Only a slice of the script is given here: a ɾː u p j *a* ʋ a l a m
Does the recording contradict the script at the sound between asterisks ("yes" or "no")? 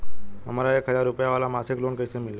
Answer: no